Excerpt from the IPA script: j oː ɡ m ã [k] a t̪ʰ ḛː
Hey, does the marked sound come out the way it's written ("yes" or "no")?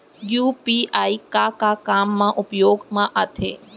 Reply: no